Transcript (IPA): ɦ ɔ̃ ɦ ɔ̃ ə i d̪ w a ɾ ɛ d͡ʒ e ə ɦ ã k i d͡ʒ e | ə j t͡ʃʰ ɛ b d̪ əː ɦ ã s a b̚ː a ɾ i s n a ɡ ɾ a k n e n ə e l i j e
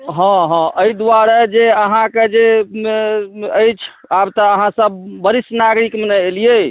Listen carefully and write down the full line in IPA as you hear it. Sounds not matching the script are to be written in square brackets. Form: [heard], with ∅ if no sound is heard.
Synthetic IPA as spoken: ɦ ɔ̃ ɦ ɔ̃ ə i d̪ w a ɾ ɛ d͡ʒ e ə ɦ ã k [e] d͡ʒ e | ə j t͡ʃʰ [a] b [t̪] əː ɦ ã s [ə] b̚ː [ə] ɾ i s n a ɡ ɾ [i] k [m] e n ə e l i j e